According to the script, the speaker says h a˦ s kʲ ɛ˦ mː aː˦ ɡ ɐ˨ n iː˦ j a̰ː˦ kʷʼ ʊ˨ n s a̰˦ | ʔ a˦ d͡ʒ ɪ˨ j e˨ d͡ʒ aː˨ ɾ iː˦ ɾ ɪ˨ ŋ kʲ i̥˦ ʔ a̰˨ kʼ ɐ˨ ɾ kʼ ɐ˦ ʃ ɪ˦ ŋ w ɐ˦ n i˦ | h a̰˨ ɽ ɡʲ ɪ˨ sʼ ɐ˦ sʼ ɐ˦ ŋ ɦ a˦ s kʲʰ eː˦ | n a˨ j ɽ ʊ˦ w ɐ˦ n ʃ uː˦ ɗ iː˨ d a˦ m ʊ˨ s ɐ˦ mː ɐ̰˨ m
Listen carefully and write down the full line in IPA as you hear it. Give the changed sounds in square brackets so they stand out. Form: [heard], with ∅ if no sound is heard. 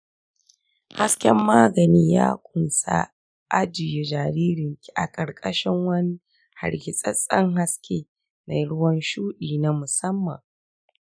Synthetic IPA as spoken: h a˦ s kʲ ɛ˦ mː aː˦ ɡ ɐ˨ n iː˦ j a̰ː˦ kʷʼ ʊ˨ n s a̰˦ | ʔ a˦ d͡ʒ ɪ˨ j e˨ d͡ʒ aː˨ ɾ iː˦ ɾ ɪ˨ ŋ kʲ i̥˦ ʔ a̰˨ kʼ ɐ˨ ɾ kʼ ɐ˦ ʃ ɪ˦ ŋ w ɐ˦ n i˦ | h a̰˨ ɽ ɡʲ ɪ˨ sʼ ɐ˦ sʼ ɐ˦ ŋ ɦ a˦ s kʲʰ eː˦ | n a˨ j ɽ ʊ˦ w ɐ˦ n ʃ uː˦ ɗ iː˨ [n] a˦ m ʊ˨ s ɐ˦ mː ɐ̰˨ [ŋ]